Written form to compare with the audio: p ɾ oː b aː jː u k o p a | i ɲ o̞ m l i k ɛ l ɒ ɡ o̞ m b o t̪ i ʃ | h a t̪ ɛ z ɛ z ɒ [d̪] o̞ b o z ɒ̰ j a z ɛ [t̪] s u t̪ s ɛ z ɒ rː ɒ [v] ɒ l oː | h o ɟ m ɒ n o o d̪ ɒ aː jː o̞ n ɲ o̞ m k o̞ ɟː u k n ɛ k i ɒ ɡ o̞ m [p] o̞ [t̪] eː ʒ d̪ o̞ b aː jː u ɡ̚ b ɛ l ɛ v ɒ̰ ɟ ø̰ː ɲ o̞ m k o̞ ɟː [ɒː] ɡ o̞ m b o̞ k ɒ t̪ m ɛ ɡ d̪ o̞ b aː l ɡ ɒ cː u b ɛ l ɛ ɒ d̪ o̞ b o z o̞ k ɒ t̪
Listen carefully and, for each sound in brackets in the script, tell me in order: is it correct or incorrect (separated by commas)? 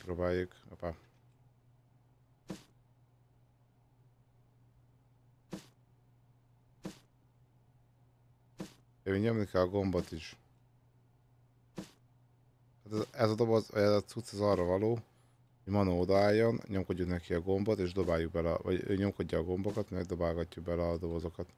correct, correct, correct, incorrect, correct, correct